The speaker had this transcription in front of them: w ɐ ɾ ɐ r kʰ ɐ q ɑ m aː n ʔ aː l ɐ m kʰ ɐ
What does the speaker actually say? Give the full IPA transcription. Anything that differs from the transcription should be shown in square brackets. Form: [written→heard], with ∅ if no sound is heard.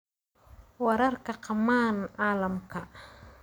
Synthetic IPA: w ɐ ɾ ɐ r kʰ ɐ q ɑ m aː n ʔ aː l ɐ m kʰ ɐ

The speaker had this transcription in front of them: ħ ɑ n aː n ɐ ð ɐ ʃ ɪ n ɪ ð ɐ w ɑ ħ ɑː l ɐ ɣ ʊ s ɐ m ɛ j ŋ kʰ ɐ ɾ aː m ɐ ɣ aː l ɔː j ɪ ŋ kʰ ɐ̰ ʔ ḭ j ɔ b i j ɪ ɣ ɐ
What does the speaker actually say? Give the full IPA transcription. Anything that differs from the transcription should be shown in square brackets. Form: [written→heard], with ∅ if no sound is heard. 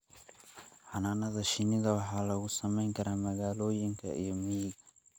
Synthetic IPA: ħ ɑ n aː n ɐ ð ɐ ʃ ɪ n ɪ ð ɐ w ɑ ħ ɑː l ɐ ɣ ʊ s ɐ m ɛ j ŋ kʰ ɐ ɾ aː m ɐ ɣ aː l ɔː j ɪ ŋ kʰ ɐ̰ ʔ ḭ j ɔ [b→m] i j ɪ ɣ ɐ

